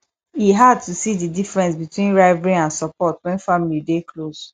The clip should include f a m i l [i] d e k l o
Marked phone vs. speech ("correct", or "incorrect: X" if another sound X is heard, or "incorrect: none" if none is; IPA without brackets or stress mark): correct